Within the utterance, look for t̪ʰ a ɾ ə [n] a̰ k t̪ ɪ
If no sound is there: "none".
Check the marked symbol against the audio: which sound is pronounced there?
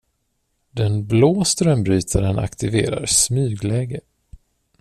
n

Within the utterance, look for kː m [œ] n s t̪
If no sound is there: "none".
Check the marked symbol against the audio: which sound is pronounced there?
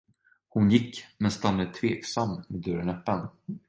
ɛ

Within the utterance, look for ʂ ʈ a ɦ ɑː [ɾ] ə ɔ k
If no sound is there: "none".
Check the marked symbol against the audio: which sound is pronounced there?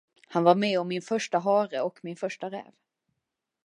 ɾ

